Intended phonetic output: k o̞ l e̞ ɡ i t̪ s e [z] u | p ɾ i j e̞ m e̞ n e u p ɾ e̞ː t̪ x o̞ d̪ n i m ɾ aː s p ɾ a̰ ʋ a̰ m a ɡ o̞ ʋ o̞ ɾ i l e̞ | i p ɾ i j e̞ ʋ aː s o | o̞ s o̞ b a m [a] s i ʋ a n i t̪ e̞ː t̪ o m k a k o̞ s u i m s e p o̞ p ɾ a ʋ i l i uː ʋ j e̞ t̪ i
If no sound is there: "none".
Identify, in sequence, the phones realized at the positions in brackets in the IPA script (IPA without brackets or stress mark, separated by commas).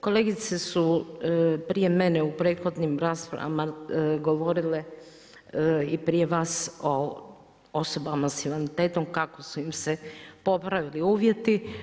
s, a